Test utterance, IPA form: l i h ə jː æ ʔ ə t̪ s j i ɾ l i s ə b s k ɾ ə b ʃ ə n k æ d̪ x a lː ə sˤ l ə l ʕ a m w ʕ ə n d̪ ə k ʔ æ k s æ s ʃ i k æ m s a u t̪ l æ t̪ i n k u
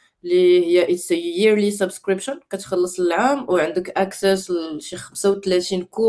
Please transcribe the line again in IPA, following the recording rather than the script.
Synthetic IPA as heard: l i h ə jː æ ʔ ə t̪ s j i ɾ l i s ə b s k ɾ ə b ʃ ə n k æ t̪ x ɑ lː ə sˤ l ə l ʕ a m w ʕ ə n d̪ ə k ʔ æ k s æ s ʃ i x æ m s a w t̪ l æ t̪ i n k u